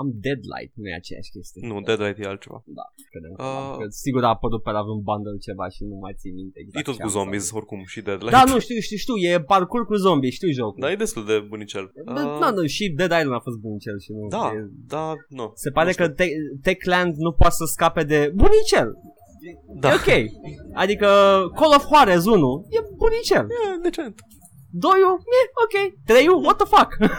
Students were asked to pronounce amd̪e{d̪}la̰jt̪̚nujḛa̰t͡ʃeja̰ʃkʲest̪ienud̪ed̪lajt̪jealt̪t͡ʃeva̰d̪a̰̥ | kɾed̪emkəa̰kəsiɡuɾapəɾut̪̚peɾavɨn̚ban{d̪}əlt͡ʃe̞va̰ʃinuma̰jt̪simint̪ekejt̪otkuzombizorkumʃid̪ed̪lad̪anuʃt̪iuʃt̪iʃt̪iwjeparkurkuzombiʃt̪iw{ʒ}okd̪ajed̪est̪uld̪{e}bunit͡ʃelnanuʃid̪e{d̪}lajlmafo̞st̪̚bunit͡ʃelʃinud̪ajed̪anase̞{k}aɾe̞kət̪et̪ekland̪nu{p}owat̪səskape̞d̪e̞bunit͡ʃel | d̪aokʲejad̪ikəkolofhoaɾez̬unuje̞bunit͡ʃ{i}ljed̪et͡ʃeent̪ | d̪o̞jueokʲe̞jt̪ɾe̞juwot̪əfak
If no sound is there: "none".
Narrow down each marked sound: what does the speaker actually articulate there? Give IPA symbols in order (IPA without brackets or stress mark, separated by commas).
d̪, d̪, ʒ, e, d̪, p, p, e